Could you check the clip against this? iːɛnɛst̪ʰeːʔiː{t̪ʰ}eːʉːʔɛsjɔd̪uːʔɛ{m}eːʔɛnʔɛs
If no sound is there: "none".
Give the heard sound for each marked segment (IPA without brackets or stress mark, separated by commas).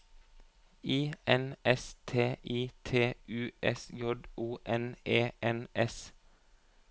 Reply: t̪ʰ, n